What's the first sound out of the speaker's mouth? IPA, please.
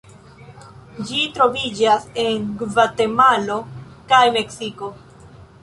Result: d͡ʒ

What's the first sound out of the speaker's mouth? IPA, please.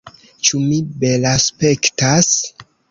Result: t͡ʃ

